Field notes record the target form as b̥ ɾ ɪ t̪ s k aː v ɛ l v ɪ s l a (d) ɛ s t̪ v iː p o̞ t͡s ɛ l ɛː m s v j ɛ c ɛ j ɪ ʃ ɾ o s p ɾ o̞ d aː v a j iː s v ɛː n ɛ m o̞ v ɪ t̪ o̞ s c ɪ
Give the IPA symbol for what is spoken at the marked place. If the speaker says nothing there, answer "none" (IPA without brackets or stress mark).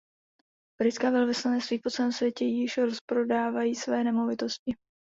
n